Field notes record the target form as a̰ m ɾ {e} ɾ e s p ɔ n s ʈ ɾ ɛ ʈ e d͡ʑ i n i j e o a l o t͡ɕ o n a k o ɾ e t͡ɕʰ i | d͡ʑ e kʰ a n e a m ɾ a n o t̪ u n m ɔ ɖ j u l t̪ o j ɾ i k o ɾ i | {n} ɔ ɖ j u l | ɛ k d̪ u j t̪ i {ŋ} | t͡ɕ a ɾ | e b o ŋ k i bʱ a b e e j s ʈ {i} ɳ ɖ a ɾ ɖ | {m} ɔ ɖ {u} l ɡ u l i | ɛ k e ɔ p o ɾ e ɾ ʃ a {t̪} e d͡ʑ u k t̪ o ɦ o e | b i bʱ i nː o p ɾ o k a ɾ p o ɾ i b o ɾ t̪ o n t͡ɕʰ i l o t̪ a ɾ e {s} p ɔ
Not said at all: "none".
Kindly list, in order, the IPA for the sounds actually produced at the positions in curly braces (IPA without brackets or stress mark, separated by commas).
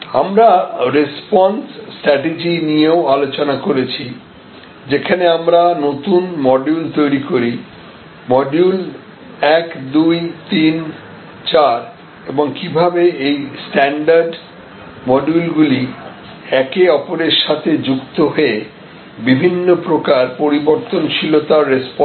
a, m, n, ɛ, m, u, t̪ʰ, s